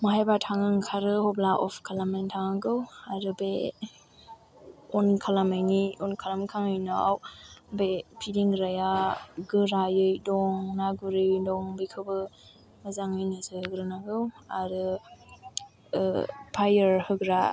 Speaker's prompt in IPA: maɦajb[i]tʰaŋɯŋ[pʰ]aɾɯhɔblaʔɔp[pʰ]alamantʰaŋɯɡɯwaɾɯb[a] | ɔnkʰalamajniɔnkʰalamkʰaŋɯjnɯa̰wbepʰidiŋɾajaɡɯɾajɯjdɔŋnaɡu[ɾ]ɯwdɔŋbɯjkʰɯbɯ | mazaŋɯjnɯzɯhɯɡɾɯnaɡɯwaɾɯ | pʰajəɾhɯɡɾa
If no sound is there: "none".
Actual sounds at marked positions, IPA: a, kʰ, kʰ, e, ɾ

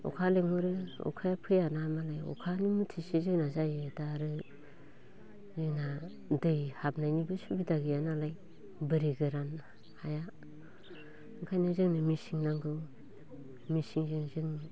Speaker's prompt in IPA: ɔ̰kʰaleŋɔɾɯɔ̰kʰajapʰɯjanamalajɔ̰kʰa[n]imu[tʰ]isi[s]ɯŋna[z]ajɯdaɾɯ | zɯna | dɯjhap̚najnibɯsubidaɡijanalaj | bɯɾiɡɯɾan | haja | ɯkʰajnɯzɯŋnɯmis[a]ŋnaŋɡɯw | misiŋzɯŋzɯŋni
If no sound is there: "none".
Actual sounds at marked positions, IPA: n, tʰ, z, z, i

